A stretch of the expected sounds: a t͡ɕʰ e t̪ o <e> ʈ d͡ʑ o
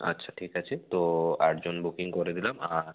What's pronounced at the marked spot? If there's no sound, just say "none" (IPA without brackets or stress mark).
a